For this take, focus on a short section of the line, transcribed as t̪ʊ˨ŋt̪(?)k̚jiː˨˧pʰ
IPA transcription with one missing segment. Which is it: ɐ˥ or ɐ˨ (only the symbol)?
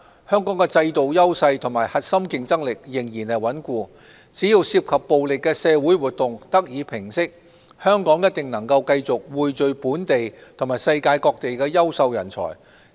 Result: ɐ˥